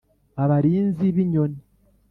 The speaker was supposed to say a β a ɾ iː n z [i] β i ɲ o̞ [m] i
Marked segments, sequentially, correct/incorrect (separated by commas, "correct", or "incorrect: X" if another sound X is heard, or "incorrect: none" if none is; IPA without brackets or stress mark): correct, incorrect: n